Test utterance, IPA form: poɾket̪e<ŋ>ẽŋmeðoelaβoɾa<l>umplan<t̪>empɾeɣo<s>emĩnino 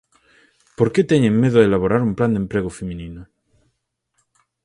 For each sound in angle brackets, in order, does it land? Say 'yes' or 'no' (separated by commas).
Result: no, no, no, no